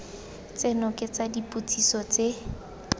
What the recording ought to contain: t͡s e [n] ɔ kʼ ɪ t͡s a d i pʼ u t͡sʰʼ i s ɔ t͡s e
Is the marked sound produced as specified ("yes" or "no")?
yes